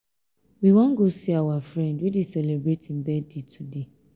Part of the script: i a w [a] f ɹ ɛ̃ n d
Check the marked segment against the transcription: correct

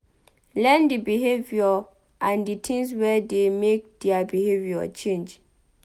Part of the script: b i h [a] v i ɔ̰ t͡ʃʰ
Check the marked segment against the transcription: incorrect: e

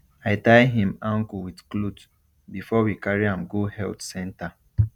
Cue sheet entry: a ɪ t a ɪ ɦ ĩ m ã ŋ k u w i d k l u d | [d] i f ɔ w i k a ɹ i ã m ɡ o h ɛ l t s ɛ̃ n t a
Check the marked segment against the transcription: incorrect: b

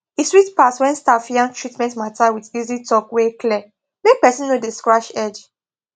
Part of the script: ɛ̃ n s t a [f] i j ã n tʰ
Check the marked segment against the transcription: correct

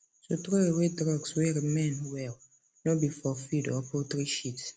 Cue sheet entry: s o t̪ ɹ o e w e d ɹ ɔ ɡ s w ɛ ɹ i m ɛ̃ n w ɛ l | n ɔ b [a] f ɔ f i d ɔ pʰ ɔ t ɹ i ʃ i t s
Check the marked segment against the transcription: incorrect: i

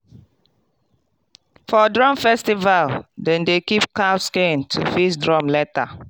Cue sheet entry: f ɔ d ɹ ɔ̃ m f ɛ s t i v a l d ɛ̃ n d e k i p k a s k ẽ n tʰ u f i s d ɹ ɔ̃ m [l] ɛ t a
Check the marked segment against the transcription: correct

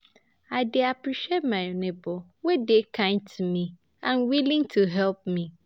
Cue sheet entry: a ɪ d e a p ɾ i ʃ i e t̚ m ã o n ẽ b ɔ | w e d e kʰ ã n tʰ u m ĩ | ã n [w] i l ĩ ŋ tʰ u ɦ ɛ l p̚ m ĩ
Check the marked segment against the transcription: correct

